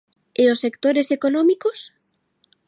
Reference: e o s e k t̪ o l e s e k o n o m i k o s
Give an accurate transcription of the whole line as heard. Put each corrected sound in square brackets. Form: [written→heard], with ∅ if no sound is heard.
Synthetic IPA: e o s e k t̪ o [l→ɾ] e s e k o n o m i k o s